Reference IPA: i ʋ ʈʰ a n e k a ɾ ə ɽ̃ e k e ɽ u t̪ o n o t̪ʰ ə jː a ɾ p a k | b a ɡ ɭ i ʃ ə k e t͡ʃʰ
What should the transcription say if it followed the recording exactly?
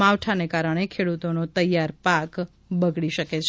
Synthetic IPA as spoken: a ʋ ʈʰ a n e k a ɾ ə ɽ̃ e kʰ e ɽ u t̪ o n o t̪ ə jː a ɾ p a k | b ə ɡ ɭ i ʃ ə k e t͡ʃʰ